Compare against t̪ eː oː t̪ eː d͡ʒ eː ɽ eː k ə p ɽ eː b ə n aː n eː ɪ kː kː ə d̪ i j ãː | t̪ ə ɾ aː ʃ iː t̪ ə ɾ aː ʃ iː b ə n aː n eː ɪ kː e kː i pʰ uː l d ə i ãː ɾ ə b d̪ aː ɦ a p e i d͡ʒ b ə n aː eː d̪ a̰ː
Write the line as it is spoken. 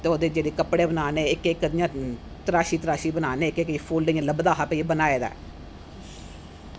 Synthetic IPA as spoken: t̪ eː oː d̪ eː d͡ʒ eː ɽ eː k ə p ɽ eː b ə n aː n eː ɪ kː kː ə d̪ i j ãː | t̪ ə ɾ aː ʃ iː t̪ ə ɾ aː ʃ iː b ə n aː n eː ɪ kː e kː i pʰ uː l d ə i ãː l ə b d̪ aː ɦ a p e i b ə n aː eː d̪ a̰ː